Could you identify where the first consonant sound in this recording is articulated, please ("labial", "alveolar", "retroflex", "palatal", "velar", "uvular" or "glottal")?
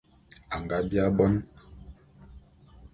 velar